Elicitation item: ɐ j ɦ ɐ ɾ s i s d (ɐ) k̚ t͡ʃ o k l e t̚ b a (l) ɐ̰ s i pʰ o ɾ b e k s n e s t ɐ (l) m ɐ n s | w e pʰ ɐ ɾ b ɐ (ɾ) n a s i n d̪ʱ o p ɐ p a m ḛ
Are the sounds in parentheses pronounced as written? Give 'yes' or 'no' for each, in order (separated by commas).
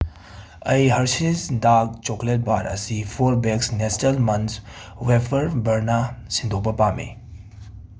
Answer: no, no, yes, yes